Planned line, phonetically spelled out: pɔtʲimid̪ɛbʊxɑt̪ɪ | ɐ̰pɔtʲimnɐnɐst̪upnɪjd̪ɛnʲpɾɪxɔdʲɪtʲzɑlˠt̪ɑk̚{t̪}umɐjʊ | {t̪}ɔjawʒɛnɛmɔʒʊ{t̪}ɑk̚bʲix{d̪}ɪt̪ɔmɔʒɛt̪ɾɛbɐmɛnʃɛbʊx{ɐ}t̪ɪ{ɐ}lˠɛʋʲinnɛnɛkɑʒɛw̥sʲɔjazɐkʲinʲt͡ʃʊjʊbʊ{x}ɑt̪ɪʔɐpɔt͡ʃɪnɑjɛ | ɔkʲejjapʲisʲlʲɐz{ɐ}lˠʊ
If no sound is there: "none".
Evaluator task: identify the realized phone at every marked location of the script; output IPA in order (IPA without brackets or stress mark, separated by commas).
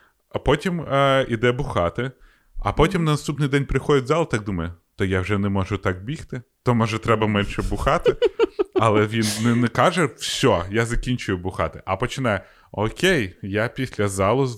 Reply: d̪, t̪, t̪, t̪, ɑ, ɐ, x, ɑ